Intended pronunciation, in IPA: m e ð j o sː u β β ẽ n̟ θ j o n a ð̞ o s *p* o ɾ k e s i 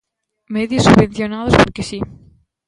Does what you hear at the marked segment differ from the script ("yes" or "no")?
no